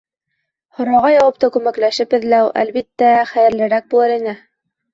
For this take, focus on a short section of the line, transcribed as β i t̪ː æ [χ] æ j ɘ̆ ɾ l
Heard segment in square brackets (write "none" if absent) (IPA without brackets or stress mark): χ